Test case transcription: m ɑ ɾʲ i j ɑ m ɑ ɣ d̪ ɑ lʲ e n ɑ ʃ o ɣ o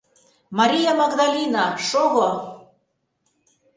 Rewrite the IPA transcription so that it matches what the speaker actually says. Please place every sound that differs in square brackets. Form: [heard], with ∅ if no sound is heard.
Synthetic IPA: m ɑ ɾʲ i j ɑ m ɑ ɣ d̪ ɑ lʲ [i] n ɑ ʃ o ɣ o